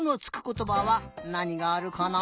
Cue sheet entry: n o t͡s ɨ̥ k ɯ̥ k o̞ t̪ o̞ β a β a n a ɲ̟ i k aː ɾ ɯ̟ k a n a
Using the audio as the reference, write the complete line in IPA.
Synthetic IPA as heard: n o t͡s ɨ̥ k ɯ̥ k o̞ t̪ o̞ b a β a n a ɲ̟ i ɡ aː ɾ ɯ̟ k a n a